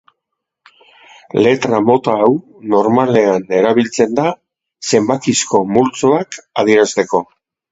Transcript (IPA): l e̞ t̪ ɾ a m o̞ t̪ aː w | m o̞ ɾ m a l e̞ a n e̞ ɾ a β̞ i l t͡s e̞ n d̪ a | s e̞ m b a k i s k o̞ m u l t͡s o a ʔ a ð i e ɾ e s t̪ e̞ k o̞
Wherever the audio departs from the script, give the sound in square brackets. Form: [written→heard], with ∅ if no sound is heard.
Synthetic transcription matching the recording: l e̞ t̪ ɾ a m o̞ t̪ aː w | [m→n] o̞ ɾ m a l e̞ a n e̞ ɾ a β̞ i l t͡s e̞ n d̪ a | s e̞ m b a k i s k o̞ m u l t͡s o a [ʔ→k] a ð i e ɾ [e→a] s t̪ e̞ k o̞